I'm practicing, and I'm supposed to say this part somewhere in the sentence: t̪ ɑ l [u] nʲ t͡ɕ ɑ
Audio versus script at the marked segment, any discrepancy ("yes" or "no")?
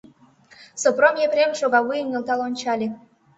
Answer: yes